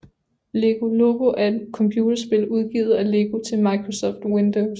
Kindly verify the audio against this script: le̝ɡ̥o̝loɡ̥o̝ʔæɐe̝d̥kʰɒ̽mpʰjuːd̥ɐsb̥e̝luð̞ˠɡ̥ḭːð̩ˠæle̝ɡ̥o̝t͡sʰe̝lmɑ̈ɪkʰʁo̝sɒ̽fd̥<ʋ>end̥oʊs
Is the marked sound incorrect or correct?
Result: incorrect